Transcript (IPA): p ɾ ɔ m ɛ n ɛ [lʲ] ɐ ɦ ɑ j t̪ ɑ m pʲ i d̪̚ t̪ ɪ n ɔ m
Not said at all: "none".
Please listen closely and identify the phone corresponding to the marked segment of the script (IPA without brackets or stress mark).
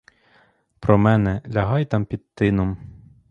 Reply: lʲ